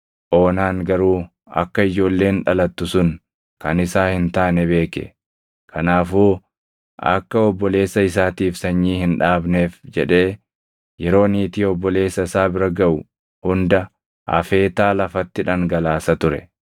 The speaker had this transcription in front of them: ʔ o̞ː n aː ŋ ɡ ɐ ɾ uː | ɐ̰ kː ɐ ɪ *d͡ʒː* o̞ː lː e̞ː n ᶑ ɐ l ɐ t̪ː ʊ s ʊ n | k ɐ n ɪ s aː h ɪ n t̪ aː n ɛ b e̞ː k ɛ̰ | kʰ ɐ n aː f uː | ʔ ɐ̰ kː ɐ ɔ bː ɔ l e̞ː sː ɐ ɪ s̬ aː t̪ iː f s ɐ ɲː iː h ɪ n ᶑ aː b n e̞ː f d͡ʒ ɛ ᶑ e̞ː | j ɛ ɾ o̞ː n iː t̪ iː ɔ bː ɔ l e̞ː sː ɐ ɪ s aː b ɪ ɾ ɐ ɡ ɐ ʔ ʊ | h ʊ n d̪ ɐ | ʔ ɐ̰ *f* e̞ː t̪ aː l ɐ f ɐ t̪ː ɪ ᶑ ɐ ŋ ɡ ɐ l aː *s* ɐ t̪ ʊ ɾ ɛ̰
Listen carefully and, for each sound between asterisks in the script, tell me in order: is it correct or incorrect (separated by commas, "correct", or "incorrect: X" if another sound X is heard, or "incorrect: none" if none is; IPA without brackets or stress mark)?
incorrect: d͡ʒ, correct, correct